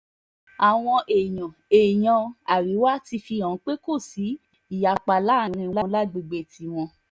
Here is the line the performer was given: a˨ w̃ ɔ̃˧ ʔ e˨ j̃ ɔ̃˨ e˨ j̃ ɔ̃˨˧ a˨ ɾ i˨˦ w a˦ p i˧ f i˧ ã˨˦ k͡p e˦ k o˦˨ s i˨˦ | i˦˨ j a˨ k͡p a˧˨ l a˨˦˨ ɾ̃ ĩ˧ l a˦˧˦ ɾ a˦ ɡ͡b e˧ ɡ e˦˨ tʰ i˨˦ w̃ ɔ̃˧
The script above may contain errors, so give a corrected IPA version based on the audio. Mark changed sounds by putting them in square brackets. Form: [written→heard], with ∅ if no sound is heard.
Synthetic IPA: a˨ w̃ ɔ̃˧ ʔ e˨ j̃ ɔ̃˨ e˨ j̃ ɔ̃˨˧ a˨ ɾ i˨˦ w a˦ [p→t] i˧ f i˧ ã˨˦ k͡p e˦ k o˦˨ s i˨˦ | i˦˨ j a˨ k͡p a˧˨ l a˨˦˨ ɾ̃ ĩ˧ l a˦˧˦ [ɾ→l] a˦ ɡ͡b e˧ [ɡ→ɡ͡b] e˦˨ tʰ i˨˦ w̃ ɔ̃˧

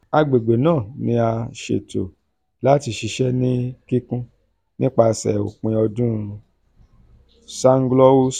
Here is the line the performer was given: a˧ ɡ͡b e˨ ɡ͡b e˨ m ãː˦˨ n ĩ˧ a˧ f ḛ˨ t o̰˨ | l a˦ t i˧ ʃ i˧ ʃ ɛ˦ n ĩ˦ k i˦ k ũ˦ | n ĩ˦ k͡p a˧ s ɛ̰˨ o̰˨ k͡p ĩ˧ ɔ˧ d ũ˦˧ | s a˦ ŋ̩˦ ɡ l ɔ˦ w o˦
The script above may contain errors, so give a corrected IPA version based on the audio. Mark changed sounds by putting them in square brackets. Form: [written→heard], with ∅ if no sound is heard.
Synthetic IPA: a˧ ɡ͡b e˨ ɡ͡b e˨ [m→n] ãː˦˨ n ĩ˧ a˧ [f→ʃ] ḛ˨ t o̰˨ | l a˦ t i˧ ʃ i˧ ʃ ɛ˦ n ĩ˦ k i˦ k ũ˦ | n ĩ˦ k͡p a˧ s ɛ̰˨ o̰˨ k͡p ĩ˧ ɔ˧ d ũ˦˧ | s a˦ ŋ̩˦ ɡ l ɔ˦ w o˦

